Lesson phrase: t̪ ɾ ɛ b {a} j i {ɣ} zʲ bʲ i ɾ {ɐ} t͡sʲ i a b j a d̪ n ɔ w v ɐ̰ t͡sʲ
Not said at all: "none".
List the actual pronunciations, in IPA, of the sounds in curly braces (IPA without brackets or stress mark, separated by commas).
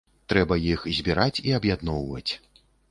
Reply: ɐ, x, a